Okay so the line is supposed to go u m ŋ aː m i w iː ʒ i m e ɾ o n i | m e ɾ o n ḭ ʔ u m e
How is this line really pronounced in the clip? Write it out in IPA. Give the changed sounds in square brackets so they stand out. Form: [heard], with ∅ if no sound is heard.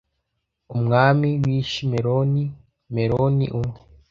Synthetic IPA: u m ŋ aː m i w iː [ʃ] i m e ɾ o n i | m e ɾ o n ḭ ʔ u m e